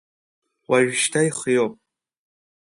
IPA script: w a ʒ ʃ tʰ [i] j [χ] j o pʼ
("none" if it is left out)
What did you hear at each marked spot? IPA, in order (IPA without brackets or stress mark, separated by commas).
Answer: a, χ